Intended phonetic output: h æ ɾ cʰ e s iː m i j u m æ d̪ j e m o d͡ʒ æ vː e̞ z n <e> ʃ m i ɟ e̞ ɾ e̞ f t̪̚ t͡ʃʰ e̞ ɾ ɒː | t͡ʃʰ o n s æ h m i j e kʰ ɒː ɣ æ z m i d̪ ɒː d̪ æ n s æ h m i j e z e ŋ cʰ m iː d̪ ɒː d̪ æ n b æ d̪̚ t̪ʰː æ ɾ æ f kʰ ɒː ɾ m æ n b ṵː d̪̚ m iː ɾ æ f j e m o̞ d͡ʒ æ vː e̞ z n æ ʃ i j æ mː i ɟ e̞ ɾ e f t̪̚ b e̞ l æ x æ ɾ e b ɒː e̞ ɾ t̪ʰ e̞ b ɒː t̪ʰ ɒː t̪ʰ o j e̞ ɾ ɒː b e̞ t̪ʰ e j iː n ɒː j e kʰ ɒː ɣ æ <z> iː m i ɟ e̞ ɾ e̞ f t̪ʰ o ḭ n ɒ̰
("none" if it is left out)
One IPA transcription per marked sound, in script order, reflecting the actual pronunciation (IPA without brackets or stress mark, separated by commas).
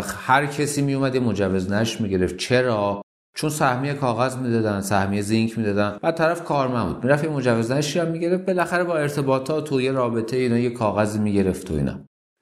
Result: æ, z